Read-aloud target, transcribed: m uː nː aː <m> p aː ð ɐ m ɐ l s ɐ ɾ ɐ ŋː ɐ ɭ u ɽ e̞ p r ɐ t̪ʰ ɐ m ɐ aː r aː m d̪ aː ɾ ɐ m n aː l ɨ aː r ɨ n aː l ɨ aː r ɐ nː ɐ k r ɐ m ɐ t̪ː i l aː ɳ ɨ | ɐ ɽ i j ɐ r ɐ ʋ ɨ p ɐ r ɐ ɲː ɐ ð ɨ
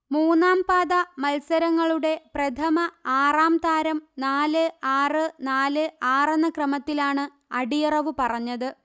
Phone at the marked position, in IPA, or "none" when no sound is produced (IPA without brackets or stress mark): m